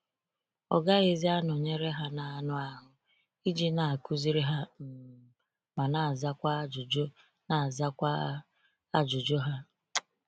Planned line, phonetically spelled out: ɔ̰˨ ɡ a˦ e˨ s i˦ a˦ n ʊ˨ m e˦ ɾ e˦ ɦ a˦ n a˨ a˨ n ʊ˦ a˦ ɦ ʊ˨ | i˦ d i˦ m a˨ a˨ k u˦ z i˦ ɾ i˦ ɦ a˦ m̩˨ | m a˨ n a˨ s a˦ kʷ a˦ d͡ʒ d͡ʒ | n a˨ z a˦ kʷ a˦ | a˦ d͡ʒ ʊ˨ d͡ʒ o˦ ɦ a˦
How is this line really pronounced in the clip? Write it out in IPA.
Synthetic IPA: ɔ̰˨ ɡ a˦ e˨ z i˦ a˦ n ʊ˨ ɲ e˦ ɾ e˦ ɦ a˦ n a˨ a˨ n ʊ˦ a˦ ɦ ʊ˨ | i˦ d͡ʒ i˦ n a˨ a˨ k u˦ z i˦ ɾ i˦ ɦ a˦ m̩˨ | m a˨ n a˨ z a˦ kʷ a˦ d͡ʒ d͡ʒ | n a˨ z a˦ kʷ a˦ | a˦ d͡ʒ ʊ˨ d͡ʒ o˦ ɦ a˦